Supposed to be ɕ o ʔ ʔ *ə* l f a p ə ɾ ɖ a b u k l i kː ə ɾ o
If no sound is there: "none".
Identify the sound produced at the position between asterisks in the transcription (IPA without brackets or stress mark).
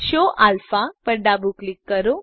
a